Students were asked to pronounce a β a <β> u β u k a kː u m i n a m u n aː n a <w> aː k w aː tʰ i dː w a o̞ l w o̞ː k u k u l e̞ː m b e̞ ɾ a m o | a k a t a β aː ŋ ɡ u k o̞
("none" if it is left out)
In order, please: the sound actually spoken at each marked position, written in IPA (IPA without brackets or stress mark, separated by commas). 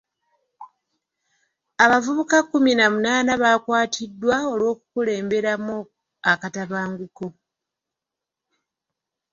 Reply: v, β